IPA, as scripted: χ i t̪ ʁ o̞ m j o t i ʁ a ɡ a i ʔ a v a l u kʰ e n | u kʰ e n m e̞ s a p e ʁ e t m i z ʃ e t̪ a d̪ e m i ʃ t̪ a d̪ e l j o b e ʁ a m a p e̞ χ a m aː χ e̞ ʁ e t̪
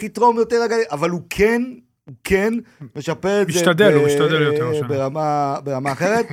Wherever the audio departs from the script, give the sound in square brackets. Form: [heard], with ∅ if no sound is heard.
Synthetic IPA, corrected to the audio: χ i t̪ ʁ o̞ m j o t [e] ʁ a ɡ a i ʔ a v a l u kʰ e n | u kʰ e n m e̞ [ʃ] a p e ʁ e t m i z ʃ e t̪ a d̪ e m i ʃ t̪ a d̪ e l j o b e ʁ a m a [b] e̞ [ʁ] a m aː χ e̞ ʁ e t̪